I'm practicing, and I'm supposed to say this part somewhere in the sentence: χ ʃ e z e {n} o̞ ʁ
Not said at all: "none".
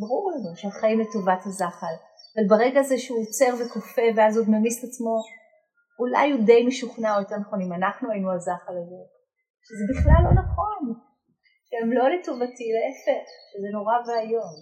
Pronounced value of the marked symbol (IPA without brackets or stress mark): n